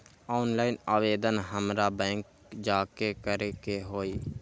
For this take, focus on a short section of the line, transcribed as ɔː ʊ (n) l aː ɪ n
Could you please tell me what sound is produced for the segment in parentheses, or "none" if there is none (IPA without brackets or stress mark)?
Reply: n